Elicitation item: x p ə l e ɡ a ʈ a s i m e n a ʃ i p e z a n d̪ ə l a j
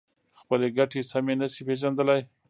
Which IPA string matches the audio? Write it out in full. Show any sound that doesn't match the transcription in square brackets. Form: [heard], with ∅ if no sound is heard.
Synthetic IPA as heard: x p ə l e ɡ a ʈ [e] s [a] m e n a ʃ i p e [ʒ] a n d̪ ə l a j